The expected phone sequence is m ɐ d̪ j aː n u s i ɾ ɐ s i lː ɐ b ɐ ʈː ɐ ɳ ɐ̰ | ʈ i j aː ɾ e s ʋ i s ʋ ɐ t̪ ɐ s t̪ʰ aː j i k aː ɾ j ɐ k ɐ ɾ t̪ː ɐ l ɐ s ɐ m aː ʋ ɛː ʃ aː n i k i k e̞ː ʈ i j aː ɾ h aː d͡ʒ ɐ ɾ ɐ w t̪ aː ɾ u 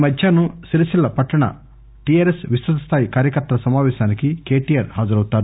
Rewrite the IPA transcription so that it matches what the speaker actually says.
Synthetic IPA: m ɐ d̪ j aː n u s i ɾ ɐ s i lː ɐ p ɐ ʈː ɐ ɳ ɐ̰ | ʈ i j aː ɾ e s ʋ i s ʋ ɐ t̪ ɐ s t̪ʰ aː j i k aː ɾ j ɐ k ɐ ɾ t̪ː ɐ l ɐ s ɐ m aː ʋ ɛː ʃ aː n i k i k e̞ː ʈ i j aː ɾ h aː d͡ʒ ɐ ɾ ɐ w t̪ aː ɾ u